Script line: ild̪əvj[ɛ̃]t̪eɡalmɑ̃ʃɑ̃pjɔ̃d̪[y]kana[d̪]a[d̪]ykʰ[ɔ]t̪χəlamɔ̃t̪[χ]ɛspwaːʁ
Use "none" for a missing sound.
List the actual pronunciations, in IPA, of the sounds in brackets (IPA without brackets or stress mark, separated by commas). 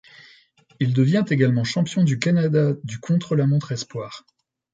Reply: ɛ̃, y, d̪, d̪, ɔ̃, χ